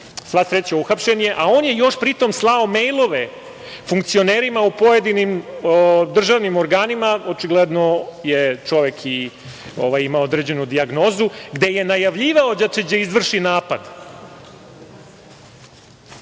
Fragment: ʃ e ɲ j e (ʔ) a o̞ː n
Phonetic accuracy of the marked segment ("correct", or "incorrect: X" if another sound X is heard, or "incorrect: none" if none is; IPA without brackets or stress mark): correct